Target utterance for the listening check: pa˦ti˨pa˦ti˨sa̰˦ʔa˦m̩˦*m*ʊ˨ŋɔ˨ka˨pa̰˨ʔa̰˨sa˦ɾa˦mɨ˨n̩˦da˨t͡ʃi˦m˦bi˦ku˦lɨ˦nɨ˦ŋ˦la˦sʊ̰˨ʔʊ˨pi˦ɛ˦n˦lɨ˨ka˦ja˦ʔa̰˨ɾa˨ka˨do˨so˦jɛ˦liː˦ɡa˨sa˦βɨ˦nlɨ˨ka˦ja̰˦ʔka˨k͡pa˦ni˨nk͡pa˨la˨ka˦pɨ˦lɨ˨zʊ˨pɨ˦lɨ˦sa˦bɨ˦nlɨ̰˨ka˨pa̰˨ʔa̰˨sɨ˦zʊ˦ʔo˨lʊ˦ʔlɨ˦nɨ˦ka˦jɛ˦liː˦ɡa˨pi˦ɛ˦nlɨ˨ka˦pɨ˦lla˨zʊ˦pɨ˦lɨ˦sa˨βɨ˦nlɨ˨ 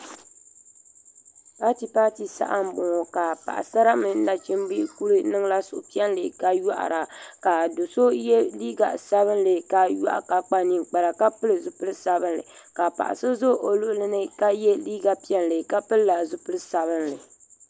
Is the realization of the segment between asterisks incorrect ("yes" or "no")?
yes